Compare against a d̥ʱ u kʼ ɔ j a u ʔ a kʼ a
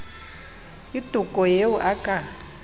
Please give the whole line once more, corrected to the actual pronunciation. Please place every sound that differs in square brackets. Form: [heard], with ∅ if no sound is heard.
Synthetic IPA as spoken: [i] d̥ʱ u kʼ ɔ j [e] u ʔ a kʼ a